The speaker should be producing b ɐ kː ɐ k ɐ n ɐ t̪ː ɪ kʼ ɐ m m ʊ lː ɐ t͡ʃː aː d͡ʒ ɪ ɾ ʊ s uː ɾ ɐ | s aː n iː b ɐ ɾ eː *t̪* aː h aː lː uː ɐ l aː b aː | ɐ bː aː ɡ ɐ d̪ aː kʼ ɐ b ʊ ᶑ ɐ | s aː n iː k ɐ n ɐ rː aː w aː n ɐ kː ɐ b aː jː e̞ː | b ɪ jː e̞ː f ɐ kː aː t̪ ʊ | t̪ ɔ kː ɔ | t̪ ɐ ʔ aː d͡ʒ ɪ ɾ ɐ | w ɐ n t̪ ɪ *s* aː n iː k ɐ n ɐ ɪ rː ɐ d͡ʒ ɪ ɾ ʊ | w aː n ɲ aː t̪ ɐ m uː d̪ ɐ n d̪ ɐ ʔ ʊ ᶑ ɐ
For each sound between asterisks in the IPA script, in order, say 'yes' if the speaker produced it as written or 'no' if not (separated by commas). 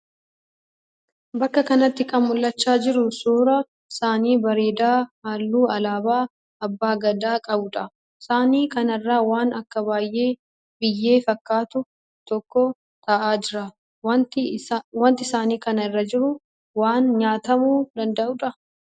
no, yes